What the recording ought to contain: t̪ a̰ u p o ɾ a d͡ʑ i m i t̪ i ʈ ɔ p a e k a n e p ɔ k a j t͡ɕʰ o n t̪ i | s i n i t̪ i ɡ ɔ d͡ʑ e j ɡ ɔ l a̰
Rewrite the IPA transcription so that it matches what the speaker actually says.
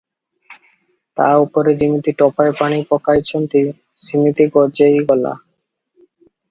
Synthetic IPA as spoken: t̪ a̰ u p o ɾ e d͡ʑ i m i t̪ i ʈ ɔ p a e p a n i p ɔ k a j t͡ɕʰ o n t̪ i | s i m i t̪ i ɡ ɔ d͡ʑ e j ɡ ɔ l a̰